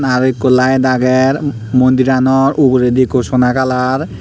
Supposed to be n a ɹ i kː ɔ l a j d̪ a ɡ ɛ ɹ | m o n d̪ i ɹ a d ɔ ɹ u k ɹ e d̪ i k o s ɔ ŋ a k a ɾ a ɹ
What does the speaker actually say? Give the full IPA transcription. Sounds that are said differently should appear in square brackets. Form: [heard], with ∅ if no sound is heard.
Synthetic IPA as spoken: n a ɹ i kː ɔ l a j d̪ a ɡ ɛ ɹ | m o n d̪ i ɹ a [n] ɔ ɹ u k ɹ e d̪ i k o s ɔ [n] a k a [l] a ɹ